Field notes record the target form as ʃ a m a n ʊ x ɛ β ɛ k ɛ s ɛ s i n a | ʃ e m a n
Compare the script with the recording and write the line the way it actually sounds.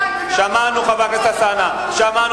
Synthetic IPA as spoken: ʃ a m a n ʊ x a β a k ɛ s a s a n a | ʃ a m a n